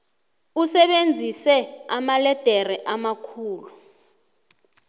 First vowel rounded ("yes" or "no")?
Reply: yes